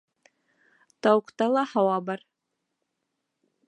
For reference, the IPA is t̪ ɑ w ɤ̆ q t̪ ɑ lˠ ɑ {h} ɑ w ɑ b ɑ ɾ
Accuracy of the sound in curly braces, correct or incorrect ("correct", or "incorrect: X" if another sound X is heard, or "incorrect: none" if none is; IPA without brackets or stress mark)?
correct